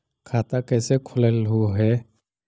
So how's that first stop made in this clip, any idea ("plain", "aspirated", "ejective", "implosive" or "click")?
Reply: aspirated